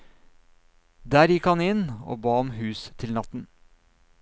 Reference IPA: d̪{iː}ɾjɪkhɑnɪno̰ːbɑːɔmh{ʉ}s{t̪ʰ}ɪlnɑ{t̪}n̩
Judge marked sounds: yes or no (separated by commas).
no, no, yes, yes